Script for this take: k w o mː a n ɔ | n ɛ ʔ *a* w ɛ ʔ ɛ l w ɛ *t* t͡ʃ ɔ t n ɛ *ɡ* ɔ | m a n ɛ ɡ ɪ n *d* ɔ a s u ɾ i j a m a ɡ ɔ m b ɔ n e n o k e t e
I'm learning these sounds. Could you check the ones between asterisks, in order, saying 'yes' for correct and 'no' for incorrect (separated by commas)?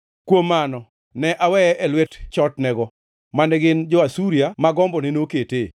yes, yes, yes, no